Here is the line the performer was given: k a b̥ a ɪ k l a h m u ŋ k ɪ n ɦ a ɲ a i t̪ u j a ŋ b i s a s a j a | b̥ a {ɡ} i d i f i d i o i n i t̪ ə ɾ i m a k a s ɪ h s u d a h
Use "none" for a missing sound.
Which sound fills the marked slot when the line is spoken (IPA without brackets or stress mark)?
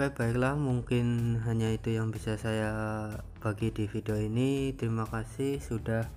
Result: ɡ